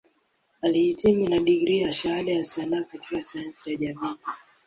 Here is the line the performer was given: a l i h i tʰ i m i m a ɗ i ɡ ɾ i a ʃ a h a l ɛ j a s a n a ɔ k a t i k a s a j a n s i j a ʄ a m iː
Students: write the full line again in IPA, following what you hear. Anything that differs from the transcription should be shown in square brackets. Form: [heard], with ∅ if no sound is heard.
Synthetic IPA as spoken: a l i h i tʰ i m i [n] a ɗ i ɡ ɾ i a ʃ a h a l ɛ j a s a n a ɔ k a t i k a s a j a n s i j a ʄ a m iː